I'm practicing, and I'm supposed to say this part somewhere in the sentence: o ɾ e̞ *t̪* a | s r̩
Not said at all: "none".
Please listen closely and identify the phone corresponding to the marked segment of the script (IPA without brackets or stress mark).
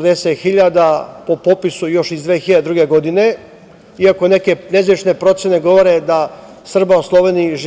d̪